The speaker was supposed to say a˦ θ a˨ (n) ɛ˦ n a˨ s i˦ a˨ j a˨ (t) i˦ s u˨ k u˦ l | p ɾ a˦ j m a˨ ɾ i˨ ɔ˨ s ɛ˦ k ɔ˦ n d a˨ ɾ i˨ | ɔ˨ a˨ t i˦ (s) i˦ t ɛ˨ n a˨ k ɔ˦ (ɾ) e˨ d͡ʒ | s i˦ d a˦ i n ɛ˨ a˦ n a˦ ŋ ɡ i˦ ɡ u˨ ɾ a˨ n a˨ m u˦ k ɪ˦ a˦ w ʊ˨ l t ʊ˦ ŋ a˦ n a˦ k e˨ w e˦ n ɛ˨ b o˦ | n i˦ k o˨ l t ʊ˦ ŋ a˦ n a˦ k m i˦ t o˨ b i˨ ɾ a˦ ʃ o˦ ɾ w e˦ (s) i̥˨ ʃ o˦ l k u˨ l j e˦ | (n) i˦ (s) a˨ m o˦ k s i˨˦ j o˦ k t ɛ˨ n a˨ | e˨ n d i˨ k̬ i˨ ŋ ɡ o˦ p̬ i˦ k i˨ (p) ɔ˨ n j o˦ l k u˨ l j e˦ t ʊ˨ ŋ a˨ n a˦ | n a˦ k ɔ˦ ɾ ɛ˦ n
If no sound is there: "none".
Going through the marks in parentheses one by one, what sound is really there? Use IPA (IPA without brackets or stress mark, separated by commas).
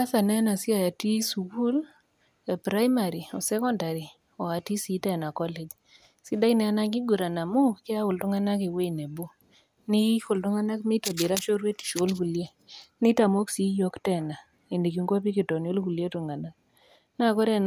n, t, s, l, t, n, t, t